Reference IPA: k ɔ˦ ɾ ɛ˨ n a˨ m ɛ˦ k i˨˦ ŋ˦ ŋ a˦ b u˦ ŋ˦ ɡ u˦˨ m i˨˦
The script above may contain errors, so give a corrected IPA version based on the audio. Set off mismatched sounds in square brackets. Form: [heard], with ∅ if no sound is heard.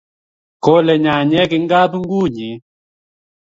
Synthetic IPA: k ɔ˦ [l] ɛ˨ [ɲ] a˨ [ɲ] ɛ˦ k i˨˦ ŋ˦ [ɡ] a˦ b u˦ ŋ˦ ɡ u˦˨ [ɲ] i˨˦